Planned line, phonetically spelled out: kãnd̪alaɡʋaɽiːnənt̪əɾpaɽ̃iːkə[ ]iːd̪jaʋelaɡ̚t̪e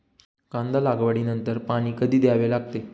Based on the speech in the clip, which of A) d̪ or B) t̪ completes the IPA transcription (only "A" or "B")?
A